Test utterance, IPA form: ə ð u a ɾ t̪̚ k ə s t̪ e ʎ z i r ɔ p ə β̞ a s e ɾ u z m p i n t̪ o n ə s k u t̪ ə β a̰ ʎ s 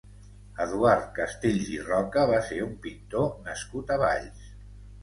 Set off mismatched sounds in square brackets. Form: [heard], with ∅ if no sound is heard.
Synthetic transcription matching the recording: ə ð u a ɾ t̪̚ k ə s t̪ e ʎ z i r ɔ [k] ə β̞ a s e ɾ u [∅] m p i n t̪ o n ə s k u t̪ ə β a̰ ʎ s